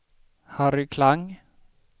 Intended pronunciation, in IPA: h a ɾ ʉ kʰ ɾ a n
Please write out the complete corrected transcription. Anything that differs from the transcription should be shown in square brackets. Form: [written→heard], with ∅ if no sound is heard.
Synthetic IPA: h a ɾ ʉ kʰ [ɾ→l] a [n→ŋ]